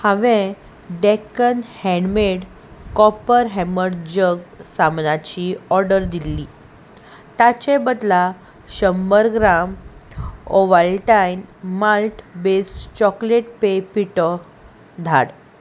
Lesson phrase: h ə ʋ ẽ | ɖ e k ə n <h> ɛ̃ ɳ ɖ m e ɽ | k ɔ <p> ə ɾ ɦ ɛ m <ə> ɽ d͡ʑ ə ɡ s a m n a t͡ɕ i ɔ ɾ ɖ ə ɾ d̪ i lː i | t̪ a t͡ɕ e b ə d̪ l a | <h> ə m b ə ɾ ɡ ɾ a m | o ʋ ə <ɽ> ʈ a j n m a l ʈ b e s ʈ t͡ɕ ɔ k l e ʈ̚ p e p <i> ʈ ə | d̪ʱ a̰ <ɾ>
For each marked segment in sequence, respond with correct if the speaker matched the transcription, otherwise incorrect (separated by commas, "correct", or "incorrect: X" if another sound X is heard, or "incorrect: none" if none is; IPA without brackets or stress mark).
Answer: correct, correct, correct, incorrect: ɕ, incorrect: l, correct, incorrect: ɽ